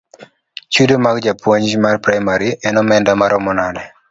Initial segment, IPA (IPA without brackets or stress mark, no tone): t͡ʃ